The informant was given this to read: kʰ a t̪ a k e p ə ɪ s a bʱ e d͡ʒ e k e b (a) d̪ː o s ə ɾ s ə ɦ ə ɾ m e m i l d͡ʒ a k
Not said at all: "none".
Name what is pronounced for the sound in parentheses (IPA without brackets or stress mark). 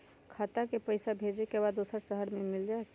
a